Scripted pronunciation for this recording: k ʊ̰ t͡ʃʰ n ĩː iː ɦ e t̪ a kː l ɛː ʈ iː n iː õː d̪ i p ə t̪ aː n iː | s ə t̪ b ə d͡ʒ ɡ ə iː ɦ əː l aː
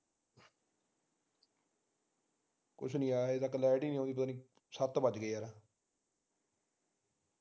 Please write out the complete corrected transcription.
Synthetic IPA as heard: k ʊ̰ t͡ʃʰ n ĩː aː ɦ e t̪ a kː l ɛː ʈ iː n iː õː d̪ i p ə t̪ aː n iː | s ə t̪ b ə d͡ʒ ɡ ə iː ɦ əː ɾ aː